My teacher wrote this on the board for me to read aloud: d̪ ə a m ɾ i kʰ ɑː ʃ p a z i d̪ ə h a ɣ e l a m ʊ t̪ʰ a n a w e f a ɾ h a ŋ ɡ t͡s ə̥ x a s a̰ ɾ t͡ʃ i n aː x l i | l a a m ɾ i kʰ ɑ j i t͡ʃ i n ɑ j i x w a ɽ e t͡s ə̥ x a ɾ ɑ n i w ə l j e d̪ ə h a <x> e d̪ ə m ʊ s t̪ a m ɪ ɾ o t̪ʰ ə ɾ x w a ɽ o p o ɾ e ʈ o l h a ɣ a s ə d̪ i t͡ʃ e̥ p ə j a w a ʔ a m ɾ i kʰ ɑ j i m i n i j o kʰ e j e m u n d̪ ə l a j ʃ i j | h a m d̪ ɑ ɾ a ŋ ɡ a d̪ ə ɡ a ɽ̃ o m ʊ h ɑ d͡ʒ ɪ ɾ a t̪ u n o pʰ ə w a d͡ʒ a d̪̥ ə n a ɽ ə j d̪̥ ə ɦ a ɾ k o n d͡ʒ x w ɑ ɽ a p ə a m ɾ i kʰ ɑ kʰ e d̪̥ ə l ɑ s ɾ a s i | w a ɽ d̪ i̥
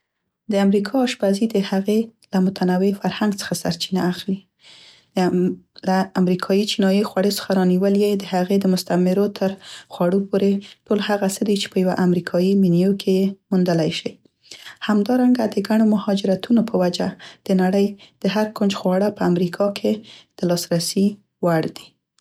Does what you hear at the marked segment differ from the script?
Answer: yes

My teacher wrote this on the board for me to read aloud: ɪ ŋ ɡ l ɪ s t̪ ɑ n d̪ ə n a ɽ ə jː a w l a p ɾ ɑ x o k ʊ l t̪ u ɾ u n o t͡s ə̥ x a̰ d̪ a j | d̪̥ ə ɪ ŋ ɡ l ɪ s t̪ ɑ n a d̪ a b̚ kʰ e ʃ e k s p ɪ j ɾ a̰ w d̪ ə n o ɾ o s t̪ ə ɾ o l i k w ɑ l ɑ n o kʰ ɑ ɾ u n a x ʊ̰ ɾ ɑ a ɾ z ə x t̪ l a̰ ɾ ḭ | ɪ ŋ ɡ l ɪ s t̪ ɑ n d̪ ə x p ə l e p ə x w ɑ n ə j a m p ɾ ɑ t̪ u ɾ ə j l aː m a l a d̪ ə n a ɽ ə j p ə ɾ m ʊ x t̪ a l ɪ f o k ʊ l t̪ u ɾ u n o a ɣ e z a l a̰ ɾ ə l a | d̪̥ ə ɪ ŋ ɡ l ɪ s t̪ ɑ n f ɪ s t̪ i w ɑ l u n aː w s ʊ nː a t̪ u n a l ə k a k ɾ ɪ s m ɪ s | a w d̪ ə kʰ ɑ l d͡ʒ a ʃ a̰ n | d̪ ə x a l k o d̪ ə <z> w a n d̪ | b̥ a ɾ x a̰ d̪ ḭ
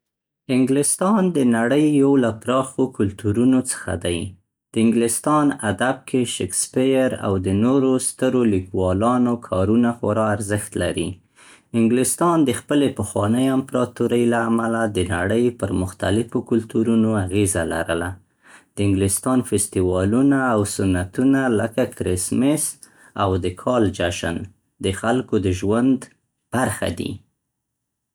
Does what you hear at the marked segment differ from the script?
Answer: yes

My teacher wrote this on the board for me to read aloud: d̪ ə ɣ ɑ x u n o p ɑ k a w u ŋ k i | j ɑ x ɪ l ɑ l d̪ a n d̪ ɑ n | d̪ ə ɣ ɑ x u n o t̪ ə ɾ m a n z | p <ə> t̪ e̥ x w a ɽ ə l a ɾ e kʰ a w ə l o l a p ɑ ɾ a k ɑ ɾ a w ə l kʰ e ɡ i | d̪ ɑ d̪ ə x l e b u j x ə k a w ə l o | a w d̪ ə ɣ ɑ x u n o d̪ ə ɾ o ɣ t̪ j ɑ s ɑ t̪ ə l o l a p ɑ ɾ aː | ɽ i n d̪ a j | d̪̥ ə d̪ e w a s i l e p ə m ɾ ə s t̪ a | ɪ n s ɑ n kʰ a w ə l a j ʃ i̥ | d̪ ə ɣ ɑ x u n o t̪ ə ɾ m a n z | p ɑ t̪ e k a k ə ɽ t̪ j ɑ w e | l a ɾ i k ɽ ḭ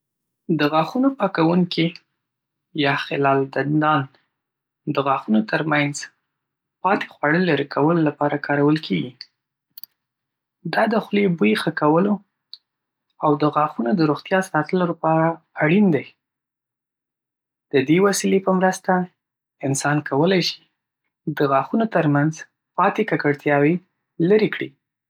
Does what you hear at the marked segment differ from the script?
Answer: yes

